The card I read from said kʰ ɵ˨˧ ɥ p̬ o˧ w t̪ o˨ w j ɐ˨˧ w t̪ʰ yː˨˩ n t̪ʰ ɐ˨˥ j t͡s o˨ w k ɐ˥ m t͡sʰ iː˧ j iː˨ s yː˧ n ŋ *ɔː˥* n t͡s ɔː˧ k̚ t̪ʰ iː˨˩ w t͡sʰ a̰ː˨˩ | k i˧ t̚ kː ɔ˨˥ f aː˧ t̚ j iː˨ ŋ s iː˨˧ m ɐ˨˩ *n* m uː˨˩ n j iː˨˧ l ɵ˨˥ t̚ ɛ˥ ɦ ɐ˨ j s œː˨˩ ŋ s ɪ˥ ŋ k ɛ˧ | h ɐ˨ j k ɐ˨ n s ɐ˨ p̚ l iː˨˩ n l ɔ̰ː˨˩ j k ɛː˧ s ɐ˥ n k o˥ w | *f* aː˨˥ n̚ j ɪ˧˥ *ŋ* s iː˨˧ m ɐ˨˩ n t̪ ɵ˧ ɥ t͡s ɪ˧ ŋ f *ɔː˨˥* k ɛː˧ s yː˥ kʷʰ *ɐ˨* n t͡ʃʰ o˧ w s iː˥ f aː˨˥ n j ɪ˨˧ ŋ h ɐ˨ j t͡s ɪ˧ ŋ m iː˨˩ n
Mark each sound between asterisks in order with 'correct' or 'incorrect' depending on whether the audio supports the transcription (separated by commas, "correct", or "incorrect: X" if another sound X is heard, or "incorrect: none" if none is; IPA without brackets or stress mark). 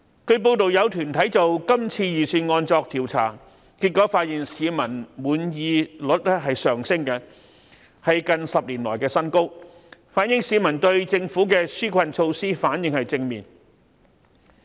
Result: incorrect: ɔː˧, correct, correct, correct, incorrect: uː˨˥, correct